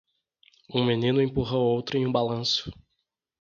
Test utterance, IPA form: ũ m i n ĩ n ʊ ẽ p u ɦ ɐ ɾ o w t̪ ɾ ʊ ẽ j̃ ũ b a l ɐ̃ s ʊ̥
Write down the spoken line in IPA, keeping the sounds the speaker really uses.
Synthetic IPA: ũ m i n ĩ n ʊ ẽ p u ɦ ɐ o w t̪ ɾ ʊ ẽ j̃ ũ b a l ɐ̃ s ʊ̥